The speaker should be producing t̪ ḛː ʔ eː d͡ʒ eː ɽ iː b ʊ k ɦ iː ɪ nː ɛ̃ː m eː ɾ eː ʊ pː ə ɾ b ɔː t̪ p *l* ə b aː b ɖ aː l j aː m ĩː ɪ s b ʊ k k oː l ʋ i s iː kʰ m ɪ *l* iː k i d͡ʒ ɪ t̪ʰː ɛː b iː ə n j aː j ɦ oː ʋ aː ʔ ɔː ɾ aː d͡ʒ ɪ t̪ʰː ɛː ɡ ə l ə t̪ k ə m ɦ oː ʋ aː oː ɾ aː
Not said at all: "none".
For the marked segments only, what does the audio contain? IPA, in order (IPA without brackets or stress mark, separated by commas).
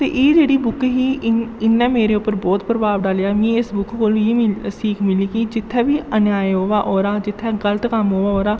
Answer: ɾ, l